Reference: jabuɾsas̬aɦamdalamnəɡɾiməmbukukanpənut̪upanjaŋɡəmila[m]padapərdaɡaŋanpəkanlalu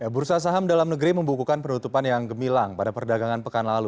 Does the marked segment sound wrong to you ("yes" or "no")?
yes